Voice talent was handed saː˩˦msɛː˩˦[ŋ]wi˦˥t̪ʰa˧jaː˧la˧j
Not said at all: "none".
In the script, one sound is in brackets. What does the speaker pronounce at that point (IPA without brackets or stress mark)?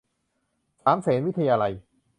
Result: n